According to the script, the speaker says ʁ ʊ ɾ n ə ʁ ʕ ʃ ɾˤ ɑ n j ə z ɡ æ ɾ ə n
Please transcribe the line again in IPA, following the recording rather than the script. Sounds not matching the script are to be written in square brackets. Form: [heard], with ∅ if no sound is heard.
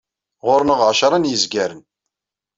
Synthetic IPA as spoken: ʁ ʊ ɾ n ə ʁ ʕ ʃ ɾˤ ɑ n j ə z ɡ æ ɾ ə n